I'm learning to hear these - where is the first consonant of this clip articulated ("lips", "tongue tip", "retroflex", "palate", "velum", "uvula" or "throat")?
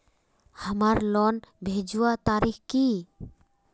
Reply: throat